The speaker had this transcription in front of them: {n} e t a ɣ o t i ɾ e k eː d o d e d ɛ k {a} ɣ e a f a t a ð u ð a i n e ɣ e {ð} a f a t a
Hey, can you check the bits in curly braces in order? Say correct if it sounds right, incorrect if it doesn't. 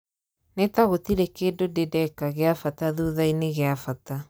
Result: correct, correct, incorrect: none

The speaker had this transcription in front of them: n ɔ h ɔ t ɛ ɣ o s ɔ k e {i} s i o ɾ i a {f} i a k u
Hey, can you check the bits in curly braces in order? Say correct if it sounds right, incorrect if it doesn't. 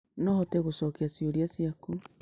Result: incorrect: a, incorrect: s

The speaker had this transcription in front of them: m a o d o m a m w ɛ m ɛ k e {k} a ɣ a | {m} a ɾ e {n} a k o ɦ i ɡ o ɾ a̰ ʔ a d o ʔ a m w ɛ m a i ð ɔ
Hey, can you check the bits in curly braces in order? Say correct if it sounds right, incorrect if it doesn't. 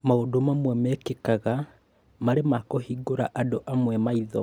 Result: correct, correct, incorrect: m

